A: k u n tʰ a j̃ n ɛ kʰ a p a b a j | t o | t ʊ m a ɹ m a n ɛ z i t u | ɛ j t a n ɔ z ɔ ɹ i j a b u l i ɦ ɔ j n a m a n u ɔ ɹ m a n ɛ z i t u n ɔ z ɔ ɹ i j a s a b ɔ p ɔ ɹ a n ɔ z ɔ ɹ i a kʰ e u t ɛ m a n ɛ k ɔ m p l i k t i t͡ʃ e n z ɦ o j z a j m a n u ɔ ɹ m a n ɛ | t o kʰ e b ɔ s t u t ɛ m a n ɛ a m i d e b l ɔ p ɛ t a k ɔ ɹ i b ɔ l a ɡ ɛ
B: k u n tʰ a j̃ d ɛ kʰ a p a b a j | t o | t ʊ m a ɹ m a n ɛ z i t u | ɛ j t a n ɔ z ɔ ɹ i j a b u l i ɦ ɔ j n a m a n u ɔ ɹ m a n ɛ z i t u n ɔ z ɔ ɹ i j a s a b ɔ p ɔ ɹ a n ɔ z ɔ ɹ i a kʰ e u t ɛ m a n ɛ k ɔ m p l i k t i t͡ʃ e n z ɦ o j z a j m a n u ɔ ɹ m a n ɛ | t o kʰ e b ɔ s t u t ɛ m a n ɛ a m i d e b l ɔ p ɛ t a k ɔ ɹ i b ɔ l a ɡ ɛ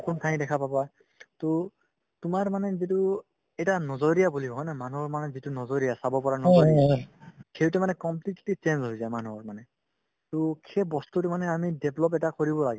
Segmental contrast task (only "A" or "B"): B